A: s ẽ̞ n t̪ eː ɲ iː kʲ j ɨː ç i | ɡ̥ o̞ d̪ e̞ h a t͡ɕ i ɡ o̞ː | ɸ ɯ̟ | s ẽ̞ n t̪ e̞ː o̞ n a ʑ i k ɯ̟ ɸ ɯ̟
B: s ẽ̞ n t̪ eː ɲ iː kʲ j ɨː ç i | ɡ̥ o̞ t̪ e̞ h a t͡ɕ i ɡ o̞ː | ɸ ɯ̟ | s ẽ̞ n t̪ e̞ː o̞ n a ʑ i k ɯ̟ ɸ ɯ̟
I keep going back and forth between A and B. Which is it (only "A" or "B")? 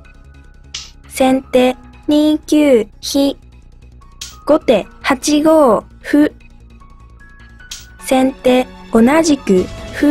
B